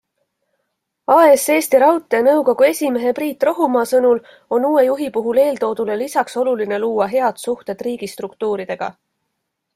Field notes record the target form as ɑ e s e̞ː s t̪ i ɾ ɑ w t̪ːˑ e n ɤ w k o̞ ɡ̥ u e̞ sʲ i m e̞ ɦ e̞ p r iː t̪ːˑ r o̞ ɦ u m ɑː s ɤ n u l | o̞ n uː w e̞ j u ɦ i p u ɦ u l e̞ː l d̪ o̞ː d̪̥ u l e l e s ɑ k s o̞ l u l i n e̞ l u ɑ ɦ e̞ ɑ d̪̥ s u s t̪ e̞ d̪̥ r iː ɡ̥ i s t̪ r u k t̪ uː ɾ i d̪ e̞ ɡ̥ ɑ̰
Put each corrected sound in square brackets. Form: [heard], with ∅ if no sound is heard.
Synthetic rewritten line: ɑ e s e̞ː s t̪ i ɾ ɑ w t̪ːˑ e n ɤ w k o̞ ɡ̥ u e̞ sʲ i m e̞ ɦ e̞ p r iː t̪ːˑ r o̞ ɦ u m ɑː s ɤ n u l | o̞ n uː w e̞ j u ɦ i p u ɦ u l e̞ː l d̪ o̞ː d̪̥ u l e l [i] s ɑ k s o̞ l u l i n e̞ l [uː] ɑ ɦ e̞ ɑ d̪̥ s u [h] t̪ e̞ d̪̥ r iː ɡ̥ i s t̪ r u k t̪ uː ɾ i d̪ e̞ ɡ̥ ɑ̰